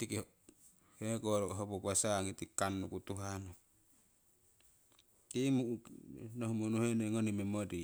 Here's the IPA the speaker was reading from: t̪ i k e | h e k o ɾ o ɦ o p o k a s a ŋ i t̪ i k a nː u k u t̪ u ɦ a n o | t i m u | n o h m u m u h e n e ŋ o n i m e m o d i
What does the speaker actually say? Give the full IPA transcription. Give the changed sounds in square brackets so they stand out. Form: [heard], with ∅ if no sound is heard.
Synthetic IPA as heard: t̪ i k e | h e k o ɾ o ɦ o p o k a s a ŋ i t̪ i k a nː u k u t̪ u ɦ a n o | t i m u | n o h m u [n] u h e n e ŋ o n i m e m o d i

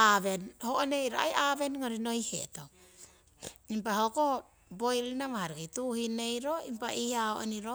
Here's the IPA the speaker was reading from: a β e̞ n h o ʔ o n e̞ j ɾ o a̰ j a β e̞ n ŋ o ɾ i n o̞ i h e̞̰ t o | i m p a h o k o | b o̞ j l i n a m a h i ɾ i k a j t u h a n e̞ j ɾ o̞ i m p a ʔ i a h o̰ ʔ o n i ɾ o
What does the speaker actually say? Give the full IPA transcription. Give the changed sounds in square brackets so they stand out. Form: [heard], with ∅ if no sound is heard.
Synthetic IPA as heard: a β e̞ n h o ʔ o n e̞ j ɾ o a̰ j a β e̞ n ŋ o ɾ i n o̞ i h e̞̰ t o | i m p a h o k o | b o̞ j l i n a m a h [a] ɾ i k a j t u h [i] n e̞ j ɾ o̞ i m p a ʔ i a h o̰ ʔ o n i ɾ o

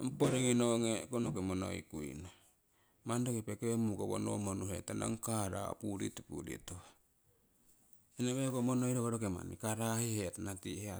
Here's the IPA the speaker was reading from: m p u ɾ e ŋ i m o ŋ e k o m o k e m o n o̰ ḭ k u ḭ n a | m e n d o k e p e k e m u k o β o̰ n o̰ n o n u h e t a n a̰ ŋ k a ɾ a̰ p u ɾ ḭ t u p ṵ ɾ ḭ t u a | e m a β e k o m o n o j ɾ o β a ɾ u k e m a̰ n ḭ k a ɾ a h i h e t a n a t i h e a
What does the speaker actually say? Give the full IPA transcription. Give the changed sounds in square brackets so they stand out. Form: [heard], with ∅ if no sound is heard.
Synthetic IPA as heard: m p [o] ɾ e ŋ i [n] o ŋ e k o [n] o k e m o n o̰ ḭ k u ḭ n a | m [a] n d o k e p e k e m u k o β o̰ n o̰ [m] o n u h e t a n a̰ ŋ k a ɾ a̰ p u ɾ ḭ t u p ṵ ɾ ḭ t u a | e [n] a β e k o m o n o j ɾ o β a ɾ [o] k e m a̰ n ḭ k a ɾ a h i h e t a n a t i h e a

